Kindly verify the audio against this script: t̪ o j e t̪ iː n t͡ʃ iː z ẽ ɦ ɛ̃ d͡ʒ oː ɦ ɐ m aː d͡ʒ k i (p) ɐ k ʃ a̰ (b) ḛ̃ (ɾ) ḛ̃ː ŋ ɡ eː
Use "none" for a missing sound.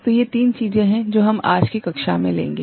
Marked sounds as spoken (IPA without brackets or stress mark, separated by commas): k, m, l